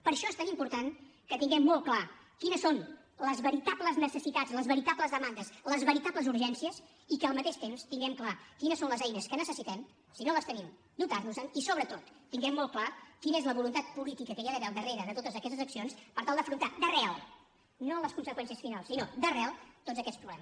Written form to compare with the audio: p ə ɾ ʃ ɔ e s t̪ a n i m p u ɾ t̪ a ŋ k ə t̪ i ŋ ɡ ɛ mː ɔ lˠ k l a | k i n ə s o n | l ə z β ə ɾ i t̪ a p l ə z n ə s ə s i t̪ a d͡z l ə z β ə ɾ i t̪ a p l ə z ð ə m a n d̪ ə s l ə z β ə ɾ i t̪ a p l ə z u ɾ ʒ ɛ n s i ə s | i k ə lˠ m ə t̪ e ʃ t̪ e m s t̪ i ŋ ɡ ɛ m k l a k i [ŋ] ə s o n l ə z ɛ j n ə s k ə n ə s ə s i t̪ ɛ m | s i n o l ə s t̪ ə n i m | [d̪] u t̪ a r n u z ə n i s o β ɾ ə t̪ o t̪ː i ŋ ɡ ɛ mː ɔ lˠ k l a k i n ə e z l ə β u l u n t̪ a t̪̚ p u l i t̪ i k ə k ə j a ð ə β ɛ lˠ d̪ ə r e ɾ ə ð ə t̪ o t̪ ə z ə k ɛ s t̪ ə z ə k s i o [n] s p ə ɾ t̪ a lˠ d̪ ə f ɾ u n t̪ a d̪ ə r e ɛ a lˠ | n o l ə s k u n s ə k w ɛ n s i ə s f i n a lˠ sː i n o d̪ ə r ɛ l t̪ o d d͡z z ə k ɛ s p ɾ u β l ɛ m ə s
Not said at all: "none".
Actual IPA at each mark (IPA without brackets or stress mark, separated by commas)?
n, d̪, n